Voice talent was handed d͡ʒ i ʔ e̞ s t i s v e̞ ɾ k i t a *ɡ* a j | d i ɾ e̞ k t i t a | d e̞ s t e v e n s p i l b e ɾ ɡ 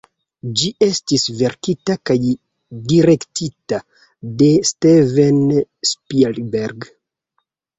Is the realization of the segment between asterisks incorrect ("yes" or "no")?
yes